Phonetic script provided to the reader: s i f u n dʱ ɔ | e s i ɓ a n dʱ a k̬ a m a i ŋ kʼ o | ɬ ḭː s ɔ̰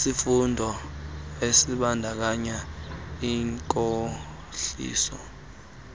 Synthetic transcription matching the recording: s i f u n dʱ ɔ | e s i ɓ a n dʱ a k̬ a ɲ a i ŋ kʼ o | ɬ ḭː s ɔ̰